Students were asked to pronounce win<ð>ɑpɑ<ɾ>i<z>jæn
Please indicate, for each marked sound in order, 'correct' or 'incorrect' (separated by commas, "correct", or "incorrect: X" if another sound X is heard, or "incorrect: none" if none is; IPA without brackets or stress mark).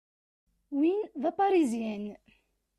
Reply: correct, correct, correct